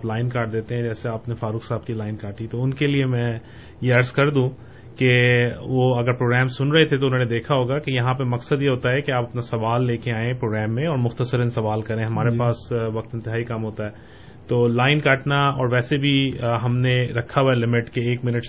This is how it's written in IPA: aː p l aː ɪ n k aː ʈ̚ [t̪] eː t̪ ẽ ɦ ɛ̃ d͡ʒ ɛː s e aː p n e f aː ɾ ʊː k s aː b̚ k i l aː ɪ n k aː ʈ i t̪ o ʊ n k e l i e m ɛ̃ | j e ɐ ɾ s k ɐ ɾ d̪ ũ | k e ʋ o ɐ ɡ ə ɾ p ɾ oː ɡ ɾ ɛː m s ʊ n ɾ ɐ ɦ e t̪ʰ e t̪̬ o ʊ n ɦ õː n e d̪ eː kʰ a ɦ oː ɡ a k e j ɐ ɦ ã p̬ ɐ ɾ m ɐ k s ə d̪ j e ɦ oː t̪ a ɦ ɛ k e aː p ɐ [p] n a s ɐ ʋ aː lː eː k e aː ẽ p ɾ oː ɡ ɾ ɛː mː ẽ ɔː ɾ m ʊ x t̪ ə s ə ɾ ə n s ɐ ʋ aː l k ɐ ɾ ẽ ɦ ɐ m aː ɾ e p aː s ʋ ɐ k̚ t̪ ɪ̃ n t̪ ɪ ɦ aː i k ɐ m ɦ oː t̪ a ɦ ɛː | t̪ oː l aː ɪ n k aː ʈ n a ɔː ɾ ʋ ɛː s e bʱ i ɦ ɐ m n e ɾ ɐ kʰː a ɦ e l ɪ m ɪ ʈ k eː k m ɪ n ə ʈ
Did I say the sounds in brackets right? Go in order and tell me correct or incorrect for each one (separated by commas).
incorrect, correct